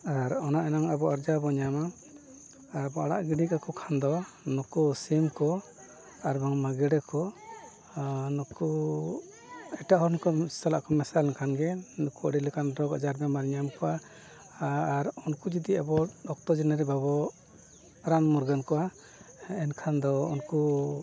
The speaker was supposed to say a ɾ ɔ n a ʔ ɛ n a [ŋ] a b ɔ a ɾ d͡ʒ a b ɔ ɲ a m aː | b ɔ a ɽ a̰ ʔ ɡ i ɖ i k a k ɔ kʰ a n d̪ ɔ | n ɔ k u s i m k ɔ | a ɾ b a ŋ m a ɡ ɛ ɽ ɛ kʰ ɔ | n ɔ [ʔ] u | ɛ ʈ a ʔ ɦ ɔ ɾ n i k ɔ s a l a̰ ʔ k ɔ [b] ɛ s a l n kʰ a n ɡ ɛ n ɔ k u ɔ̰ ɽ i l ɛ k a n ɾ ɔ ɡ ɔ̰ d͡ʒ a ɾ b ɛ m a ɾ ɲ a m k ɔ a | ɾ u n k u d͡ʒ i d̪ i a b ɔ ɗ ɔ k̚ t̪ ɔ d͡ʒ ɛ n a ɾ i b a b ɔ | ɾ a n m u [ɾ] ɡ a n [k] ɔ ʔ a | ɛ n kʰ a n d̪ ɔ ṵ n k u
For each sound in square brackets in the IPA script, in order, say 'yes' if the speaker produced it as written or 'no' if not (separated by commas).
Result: yes, no, no, yes, yes